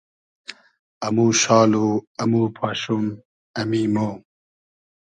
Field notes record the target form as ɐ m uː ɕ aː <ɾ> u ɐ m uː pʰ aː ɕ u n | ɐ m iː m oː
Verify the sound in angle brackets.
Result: incorrect: l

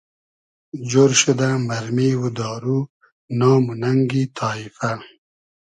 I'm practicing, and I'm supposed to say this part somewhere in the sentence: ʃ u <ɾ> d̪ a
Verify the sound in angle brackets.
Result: incorrect: none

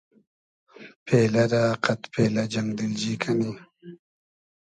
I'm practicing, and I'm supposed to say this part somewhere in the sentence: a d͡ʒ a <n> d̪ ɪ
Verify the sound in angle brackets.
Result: incorrect: ŋ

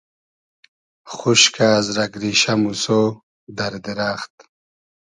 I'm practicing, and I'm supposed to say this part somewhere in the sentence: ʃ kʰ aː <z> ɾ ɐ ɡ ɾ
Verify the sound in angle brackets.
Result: correct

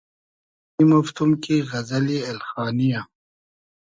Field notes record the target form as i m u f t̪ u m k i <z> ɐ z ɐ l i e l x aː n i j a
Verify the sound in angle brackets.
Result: incorrect: ɣ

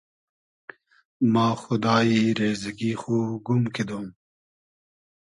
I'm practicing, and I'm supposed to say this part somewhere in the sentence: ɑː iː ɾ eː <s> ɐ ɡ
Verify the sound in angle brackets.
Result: incorrect: z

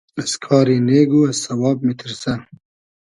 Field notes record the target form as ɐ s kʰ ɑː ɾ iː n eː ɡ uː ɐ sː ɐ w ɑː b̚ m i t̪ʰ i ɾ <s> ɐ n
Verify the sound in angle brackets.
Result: correct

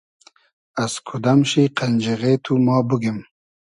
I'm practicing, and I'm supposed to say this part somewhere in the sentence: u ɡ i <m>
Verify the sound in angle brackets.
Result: correct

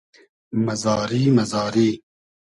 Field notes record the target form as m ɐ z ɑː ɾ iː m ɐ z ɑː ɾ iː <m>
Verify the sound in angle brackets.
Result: incorrect: none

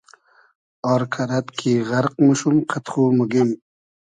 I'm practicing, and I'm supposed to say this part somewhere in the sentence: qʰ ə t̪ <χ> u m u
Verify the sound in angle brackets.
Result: correct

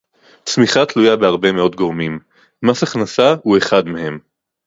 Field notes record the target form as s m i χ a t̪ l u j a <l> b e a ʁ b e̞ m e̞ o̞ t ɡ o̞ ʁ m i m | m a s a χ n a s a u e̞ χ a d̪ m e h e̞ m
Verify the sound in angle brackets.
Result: incorrect: none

